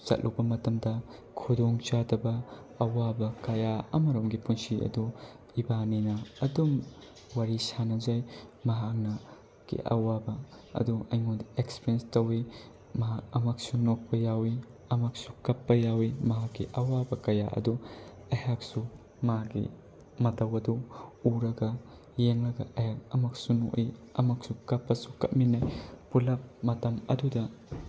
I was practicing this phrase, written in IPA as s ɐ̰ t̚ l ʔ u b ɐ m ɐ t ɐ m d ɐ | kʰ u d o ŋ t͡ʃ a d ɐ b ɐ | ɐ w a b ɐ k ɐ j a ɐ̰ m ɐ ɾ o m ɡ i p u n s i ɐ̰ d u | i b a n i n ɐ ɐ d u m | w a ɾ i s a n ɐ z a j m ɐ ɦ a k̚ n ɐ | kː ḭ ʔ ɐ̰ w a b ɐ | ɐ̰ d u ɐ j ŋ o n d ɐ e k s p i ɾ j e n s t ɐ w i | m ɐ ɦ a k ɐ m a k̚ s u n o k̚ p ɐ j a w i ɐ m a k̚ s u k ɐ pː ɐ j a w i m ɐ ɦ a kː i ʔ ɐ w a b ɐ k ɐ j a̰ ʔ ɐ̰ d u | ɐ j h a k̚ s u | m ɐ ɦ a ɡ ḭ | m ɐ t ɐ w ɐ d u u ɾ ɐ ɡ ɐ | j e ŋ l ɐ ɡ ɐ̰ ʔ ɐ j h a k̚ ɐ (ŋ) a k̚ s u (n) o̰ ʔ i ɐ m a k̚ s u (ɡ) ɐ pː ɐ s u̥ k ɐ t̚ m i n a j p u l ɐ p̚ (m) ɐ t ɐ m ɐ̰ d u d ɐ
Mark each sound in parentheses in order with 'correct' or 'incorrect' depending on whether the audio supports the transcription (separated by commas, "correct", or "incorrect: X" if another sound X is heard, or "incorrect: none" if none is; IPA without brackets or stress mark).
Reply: incorrect: m, correct, incorrect: k, correct